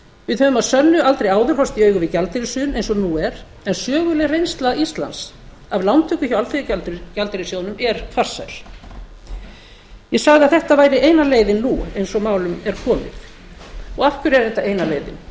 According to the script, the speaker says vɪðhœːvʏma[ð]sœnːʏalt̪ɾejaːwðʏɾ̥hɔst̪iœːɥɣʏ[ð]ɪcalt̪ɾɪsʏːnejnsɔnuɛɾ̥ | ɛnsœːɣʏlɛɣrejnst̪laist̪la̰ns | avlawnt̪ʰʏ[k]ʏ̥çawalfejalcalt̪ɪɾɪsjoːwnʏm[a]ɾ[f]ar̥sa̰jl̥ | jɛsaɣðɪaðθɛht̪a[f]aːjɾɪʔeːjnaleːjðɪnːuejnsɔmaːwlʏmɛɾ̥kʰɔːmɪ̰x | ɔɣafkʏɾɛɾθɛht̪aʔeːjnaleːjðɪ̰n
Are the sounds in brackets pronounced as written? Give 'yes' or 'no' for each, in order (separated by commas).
yes, no, yes, no, yes, no